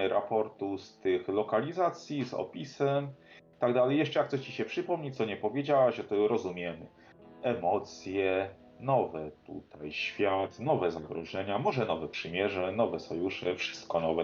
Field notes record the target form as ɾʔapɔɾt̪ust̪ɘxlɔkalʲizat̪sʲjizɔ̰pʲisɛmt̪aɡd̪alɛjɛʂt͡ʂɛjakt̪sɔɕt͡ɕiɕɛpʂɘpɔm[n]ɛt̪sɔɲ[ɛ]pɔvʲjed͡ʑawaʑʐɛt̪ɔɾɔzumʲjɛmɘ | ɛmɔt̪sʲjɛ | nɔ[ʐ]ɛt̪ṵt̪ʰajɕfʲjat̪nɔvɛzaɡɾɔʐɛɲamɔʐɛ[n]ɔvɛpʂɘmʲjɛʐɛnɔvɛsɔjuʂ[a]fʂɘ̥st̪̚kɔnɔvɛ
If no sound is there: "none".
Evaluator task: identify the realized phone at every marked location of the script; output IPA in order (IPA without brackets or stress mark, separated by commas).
ɲ, ɛ, v, n, ɛ